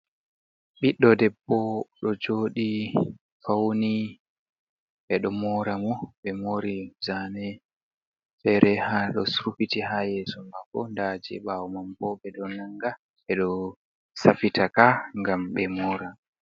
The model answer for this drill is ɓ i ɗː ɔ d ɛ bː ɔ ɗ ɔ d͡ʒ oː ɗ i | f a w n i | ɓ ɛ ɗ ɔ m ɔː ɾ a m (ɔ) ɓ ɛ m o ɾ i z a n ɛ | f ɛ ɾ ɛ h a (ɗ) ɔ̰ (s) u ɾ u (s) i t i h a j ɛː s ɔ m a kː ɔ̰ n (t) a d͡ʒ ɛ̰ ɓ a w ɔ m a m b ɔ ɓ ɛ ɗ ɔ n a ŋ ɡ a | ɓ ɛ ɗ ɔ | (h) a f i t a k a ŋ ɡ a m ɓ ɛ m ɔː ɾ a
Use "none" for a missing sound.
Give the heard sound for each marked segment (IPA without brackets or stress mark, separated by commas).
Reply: ɔ, ɗ, s, f, d, s